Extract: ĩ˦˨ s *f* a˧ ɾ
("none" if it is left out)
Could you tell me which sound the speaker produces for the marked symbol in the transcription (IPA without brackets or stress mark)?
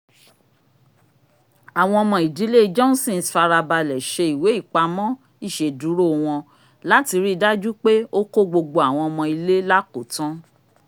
f